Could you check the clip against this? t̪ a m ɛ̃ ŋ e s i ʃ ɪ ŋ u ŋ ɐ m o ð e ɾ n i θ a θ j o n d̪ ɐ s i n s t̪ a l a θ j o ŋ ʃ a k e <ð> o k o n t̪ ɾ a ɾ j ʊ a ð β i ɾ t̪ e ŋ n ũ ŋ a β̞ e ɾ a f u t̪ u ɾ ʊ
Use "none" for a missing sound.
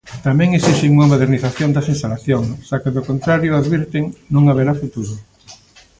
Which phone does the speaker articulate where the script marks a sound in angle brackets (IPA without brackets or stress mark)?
ð